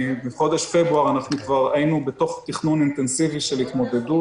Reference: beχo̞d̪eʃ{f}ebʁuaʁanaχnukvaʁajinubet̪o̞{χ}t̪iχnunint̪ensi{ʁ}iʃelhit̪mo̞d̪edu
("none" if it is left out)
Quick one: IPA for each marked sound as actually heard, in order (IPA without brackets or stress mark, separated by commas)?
f, χ, v